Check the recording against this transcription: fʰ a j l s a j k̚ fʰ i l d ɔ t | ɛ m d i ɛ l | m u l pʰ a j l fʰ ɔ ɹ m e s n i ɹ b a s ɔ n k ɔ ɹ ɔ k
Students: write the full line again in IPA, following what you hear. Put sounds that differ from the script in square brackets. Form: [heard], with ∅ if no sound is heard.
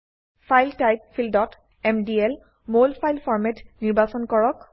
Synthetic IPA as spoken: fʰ a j l [t] a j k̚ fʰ i l d ɔ t | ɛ m d i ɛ l | m [o] l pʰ a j l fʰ ɔ ɹ m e [t] n i ɹ b a s ɔ n k ɔ ɹ ɔ k